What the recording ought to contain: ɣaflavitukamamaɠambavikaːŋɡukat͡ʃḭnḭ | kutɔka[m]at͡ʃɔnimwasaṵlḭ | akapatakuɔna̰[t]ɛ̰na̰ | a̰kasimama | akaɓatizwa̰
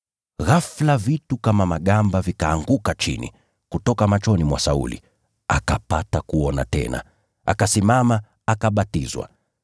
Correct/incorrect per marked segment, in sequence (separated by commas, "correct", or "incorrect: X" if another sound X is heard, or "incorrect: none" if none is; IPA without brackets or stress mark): correct, correct